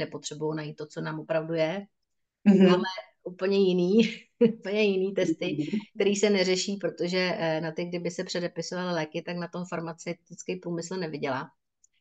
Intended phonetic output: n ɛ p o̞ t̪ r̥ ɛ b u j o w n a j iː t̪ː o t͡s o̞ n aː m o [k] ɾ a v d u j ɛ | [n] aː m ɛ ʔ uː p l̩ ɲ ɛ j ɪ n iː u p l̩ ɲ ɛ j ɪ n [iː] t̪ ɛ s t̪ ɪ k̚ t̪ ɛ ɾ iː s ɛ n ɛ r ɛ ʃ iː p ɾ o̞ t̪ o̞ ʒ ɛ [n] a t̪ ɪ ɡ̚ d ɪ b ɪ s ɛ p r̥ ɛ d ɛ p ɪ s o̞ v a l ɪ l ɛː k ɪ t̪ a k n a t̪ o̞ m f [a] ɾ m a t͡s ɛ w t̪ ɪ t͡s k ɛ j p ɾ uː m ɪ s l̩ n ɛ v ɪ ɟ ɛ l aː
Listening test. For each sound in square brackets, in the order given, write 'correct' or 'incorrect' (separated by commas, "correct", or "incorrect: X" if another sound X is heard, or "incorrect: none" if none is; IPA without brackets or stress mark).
incorrect: p, incorrect: m, correct, correct, correct